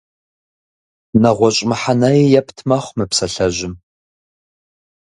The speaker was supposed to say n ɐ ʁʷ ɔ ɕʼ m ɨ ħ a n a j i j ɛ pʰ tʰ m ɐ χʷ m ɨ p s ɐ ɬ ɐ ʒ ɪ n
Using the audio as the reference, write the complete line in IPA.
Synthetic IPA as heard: n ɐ ʁʷ ɔ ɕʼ m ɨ ħ a n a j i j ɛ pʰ tʰ m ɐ χʷ m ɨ p s ɐ ɬ ɐ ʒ ɪ m